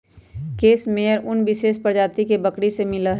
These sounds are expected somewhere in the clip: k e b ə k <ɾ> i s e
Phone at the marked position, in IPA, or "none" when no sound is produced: ɽ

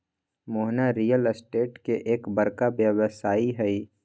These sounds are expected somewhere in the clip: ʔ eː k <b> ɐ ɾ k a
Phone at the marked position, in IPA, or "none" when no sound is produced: b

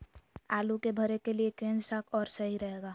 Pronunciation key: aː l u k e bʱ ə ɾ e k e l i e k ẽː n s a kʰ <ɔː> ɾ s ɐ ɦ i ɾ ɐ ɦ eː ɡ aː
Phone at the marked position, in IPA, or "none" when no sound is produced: ɔː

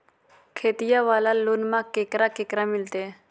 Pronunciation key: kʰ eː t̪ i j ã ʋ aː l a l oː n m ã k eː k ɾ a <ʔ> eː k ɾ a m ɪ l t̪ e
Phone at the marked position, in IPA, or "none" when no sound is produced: k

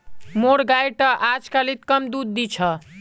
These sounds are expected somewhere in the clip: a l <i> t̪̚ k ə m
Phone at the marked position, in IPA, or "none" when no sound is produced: i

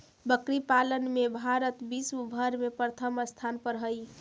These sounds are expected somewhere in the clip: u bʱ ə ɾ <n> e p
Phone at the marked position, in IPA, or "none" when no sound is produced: m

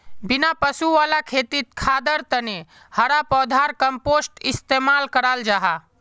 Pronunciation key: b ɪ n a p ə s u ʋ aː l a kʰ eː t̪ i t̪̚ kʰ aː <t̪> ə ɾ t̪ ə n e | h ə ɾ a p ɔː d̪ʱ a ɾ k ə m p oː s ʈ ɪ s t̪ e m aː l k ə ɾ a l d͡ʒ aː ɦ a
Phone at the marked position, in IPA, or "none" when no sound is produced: d̪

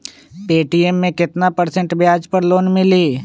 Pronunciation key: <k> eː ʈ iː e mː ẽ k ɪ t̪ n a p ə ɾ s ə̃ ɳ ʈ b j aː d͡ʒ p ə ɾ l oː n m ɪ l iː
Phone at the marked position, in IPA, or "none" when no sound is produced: p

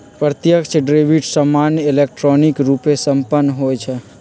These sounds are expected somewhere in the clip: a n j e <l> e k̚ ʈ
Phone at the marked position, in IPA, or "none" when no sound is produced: l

